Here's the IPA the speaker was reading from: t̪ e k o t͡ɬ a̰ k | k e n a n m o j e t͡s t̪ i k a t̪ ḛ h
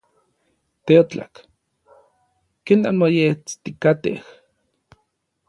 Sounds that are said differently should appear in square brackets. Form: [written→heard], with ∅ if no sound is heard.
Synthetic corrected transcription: t̪ e [k→∅] o t͡ɬ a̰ k | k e n a n m o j e t͡s t̪ i k a t̪ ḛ h

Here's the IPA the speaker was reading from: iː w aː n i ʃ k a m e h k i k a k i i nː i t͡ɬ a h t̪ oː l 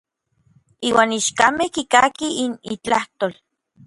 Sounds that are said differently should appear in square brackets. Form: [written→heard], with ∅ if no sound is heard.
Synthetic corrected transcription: iː w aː n i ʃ k a m e h k i k a k i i [nː→n] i t͡ɬ a h t̪ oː l

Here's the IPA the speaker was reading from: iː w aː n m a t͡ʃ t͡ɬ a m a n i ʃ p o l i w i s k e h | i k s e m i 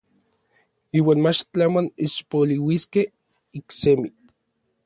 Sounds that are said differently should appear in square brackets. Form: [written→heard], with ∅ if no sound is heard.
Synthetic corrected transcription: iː w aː n m a t͡ʃ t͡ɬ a m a n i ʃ p o l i w i s k e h | i k s e m i

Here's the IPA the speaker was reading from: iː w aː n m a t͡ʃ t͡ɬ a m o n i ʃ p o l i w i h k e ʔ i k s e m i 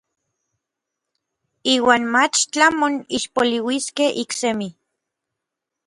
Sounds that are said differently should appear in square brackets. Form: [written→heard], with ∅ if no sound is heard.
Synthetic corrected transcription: iː w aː n m a t͡ʃ t͡ɬ a m o n i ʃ p o l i w i [h→s] k e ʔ i k s e m i

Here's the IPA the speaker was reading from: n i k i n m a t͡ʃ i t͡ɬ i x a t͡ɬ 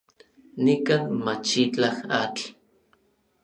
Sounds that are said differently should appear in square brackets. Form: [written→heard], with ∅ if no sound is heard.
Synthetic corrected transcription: n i k [i→a] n m a t͡ʃ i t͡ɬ [i→a] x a t͡ɬ

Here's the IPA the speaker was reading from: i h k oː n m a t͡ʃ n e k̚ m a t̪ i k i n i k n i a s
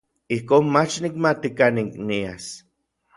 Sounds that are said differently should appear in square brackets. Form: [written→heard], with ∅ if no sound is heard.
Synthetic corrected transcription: i h k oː n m a t͡ʃ n [e→i] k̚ m a t̪ i k [i→a] n i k n i a s

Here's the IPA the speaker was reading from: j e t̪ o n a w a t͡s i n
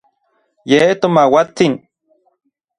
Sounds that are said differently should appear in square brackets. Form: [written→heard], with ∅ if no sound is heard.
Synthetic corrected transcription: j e t̪ o [n→m] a w a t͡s i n

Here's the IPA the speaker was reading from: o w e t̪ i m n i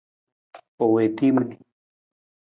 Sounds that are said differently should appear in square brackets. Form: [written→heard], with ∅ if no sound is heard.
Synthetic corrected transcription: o w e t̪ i m n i

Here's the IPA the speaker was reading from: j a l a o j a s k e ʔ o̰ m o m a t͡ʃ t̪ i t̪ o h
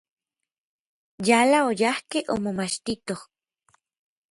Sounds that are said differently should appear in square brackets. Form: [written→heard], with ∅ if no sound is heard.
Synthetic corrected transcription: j a l a o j a [s→h] k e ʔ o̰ m o m a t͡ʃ t̪ i t̪ o h

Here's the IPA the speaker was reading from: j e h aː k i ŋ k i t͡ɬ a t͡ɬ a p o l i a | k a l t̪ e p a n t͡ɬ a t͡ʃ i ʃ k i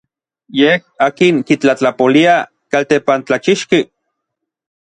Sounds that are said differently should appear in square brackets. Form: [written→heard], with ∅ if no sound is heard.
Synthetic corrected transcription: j e h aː k i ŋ k i t͡ɬ a t͡ɬ a p o l i a | k a l t̪ e p a n t͡ɬ a t͡ʃ i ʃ k i

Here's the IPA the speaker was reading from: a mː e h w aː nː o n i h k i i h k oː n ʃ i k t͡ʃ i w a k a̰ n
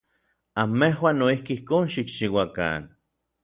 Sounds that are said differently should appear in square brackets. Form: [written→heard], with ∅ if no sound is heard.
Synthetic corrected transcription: a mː e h w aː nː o [n→∅] i h k i i h k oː n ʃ i k t͡ʃ i w a k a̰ n

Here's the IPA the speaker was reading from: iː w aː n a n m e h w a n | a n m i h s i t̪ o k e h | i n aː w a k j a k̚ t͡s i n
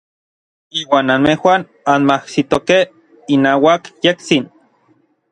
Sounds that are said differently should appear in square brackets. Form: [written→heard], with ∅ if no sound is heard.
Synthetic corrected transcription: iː w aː n a n m e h w a n | a n m [i→a] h s i t̪ o k e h | i n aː w a k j [a→e] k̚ t͡s i n

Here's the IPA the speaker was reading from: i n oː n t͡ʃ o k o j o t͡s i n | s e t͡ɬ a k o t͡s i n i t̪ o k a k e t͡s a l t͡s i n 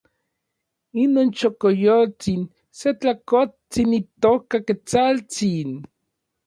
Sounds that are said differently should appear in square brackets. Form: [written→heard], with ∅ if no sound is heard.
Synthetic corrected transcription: i n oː n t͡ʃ o k o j o t͡s i n | s e t͡ɬ a k o t͡s i n i t̪ o k a k e t͡s a l t͡s i n

